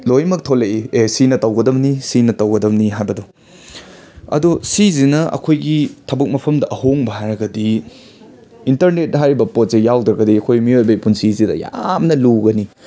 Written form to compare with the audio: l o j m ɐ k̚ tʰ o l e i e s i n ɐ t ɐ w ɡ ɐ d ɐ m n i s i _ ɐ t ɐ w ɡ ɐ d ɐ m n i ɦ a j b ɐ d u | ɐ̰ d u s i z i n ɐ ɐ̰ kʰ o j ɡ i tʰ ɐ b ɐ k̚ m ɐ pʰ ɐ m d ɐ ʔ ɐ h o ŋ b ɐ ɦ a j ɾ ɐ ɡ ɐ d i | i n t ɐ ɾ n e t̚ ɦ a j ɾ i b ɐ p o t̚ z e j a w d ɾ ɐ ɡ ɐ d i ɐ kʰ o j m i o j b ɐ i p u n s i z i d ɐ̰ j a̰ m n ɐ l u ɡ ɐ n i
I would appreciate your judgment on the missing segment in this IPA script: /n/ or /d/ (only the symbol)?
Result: n